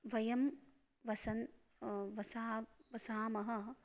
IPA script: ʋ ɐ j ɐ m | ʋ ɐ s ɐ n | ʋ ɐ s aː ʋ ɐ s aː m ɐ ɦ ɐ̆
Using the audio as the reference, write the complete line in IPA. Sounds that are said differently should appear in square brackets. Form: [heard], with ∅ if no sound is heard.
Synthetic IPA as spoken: ʋ ɐ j ɐ m | ʋ ɐ s ɐ n | ʋ ɐ s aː ʋ ɐ s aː m ɐ ɦ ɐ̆